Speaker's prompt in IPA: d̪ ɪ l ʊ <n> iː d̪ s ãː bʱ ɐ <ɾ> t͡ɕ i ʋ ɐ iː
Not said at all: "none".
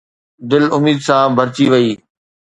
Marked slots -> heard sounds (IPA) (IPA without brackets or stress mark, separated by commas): m, ɾ